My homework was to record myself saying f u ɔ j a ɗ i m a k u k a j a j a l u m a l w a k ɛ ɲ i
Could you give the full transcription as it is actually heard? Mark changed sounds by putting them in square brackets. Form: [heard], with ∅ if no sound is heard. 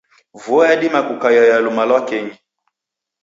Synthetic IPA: [v] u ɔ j a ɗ i m a k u k a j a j a l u m a l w a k ɛ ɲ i